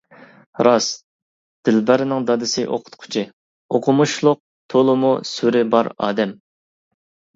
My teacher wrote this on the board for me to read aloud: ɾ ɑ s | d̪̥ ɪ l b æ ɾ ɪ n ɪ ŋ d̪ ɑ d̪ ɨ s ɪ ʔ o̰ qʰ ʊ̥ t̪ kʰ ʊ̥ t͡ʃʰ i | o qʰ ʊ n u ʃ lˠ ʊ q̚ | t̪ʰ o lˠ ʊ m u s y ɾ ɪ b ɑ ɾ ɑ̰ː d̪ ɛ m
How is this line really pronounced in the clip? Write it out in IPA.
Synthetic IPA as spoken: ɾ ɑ s | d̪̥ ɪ l b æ ɾ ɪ n ɪ ŋ d̪ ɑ d̪ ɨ s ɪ ʔ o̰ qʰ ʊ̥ t̪ qʰ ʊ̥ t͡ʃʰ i | o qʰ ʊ m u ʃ lˠ ʊ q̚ | t̪ʰ o lˠ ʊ m u s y ɾ ɪ b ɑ ɾ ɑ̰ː d̪ ɛ m